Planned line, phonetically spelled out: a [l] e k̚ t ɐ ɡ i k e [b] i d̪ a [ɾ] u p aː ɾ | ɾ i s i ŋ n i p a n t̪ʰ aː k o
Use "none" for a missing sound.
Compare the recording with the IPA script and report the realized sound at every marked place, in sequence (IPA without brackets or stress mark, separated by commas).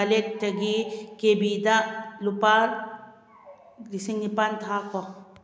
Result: l, b, l